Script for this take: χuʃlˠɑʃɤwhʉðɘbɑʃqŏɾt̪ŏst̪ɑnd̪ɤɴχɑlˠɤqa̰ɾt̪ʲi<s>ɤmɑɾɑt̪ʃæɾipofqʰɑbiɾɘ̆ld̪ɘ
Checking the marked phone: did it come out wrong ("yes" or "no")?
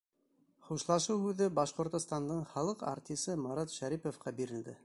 no